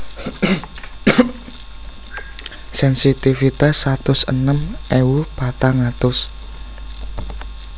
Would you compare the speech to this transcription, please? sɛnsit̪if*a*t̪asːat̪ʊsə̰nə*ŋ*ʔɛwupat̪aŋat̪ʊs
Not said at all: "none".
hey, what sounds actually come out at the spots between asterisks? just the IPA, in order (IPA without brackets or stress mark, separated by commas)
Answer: i, m